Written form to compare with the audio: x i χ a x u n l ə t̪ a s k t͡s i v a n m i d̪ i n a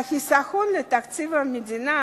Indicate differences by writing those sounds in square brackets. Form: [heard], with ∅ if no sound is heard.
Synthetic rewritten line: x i [s] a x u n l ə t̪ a [∅] k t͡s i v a [∅] m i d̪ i n a